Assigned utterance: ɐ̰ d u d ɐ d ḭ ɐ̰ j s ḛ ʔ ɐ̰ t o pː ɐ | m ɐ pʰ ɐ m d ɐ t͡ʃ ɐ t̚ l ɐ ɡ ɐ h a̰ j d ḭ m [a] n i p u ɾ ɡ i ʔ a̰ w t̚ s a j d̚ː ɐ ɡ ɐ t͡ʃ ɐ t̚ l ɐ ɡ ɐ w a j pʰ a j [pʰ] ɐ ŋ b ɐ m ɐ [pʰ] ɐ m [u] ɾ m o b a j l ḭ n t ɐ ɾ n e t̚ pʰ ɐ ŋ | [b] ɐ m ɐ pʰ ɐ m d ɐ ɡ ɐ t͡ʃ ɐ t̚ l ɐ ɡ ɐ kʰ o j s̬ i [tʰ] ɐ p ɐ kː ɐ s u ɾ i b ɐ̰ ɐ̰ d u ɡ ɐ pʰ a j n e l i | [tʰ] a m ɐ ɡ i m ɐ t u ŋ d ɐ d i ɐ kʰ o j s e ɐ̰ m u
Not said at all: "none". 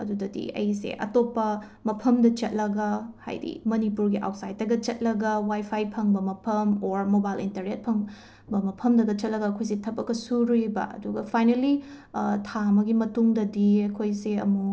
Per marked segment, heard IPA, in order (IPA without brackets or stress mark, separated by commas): ɐ, pʰ, pʰ, o, b, tʰ, tʰ